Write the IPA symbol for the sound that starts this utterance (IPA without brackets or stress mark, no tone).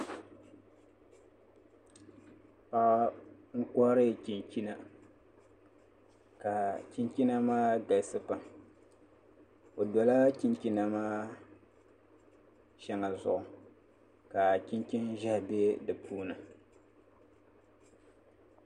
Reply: p